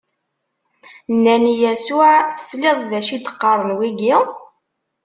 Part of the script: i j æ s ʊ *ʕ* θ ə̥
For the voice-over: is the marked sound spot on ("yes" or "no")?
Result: yes